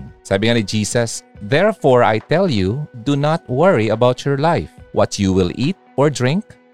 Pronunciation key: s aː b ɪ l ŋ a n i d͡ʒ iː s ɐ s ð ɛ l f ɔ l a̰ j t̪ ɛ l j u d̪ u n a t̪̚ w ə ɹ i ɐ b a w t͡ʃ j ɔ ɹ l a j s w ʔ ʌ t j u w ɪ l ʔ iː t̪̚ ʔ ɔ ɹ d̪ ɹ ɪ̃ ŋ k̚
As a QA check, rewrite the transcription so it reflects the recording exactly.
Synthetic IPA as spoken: s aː b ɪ ŋ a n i d͡ʒ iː s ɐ s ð ɛ ɹ f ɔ ɹ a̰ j t̪ ɛ l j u d̪ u n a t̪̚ w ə ɹ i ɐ b a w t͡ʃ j ɔ ɹ l a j f w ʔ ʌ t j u w ɪ l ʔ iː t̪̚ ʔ ɔ ɹ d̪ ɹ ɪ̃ ŋ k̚